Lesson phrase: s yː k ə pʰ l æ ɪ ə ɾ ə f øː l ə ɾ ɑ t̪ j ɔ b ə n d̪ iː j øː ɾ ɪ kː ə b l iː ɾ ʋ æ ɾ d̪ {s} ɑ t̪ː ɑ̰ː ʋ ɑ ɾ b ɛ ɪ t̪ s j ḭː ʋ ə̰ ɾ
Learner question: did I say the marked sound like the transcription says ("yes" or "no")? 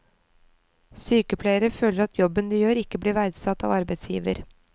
yes